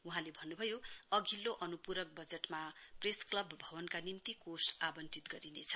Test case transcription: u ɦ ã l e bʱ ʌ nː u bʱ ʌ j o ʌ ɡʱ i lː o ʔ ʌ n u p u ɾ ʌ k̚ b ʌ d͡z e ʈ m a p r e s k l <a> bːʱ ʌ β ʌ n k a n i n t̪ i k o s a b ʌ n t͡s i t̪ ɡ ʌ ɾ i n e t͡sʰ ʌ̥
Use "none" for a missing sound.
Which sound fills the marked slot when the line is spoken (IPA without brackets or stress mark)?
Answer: ʌ